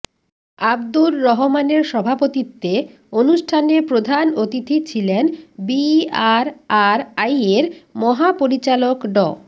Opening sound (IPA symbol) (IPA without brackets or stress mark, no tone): a